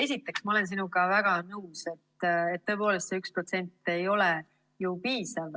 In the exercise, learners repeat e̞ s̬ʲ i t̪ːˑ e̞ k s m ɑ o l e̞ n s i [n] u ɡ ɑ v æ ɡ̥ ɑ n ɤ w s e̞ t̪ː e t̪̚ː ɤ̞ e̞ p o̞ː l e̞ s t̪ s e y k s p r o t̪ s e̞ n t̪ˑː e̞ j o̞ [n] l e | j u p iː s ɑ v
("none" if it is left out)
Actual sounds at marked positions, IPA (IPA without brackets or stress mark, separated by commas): n, none